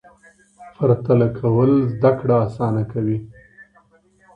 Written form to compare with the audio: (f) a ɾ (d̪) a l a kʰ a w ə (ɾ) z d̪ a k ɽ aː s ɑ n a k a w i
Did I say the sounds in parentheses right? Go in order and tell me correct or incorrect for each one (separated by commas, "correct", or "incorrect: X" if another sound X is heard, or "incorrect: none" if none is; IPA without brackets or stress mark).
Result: correct, incorrect: t̪, incorrect: l